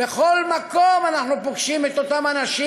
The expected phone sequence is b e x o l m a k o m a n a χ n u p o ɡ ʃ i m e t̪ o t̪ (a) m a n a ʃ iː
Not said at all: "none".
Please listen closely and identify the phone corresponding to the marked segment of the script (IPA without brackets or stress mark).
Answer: a